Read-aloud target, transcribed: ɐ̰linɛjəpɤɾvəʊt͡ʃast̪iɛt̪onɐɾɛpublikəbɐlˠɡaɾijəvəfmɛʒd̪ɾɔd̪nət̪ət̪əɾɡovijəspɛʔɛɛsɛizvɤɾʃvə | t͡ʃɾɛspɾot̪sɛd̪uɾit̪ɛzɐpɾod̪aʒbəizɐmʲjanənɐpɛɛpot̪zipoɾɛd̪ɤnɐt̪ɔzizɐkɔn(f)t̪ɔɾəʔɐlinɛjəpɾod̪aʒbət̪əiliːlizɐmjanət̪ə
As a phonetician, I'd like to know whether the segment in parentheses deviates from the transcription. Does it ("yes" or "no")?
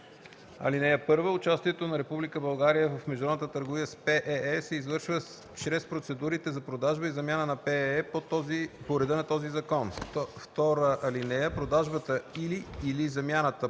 no